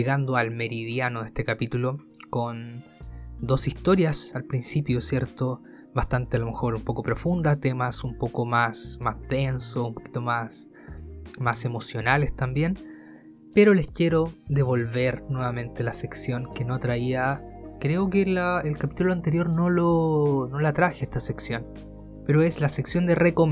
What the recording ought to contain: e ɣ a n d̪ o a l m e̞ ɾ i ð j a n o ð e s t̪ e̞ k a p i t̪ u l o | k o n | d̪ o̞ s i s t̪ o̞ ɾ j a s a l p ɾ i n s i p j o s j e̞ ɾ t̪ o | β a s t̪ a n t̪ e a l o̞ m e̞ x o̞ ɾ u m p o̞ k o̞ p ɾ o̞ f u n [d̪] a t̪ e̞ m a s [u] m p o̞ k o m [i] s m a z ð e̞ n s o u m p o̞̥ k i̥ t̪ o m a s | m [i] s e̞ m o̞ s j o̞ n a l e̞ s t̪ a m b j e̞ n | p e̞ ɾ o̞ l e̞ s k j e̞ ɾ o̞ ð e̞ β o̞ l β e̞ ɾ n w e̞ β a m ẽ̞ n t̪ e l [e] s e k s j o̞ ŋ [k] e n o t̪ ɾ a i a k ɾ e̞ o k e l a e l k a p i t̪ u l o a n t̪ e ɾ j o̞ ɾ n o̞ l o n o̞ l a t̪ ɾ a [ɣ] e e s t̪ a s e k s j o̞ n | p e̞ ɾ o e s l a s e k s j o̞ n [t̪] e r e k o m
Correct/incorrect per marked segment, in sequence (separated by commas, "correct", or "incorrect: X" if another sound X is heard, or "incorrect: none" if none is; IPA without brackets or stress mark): correct, correct, incorrect: a, incorrect: a, incorrect: a, correct, incorrect: x, incorrect: d̪